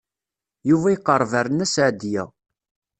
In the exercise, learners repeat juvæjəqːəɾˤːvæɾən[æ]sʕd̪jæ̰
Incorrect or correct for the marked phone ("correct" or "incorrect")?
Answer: correct